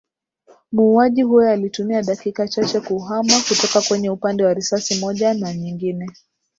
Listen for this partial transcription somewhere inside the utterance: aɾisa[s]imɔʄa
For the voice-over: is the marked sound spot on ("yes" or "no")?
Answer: yes